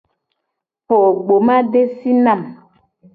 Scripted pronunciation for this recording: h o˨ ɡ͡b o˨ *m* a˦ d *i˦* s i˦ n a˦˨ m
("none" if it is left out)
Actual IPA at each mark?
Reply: m, e˦

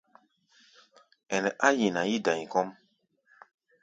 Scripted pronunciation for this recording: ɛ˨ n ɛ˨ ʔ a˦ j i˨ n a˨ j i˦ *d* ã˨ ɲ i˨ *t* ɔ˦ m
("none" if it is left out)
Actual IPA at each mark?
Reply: d, k

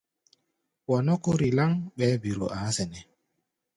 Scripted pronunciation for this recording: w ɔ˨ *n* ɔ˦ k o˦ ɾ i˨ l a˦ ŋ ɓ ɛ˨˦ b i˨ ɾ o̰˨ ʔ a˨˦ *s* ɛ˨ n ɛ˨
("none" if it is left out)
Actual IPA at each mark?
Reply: n, s

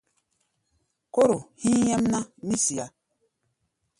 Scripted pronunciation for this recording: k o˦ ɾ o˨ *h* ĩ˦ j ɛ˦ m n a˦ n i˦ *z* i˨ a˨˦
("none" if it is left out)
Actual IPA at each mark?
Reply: h, s

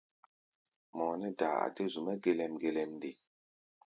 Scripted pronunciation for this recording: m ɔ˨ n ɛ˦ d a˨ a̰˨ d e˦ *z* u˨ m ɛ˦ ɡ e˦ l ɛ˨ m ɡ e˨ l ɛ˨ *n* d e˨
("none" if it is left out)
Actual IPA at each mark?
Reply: z, m

